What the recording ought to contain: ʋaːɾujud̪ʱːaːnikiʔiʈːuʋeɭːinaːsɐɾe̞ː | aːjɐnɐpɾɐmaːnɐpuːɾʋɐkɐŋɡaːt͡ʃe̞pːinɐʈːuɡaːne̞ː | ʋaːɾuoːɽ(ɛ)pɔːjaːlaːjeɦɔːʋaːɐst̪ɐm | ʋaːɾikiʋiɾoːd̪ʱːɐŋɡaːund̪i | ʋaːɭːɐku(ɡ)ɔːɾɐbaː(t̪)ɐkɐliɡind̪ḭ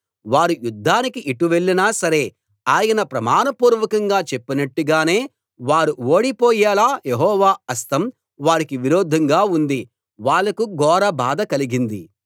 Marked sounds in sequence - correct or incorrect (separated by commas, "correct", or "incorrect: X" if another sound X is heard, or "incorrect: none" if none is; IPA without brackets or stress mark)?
incorrect: i, correct, incorrect: d̪